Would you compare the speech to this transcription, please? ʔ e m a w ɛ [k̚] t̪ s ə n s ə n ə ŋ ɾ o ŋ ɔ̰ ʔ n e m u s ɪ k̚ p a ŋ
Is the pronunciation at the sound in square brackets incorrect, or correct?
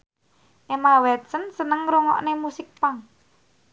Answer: incorrect